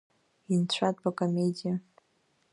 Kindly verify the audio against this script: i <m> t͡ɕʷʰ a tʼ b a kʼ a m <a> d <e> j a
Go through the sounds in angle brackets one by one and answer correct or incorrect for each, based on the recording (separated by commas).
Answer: incorrect, incorrect, incorrect